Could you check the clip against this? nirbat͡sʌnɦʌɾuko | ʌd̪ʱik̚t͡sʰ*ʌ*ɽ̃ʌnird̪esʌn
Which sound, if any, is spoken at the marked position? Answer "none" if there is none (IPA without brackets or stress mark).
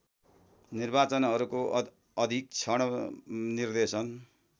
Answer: ʌ